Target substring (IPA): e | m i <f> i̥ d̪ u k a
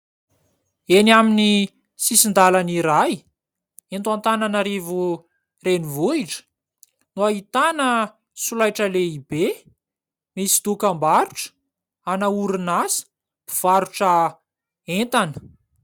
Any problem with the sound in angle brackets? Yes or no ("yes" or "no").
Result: yes